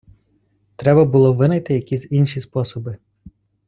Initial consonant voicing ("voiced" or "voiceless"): voiceless